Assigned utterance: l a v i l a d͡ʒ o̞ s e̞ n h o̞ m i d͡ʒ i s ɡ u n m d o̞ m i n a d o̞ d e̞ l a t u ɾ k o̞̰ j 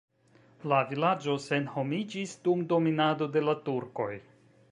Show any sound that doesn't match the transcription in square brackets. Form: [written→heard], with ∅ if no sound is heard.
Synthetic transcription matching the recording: l a v i l a d͡ʒ o̞ s e̞ n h o̞ m i d͡ʒ i s [ɡ→d] u [n→∅] m d o̞ m i n a d o̞ d e̞ l a t u ɾ k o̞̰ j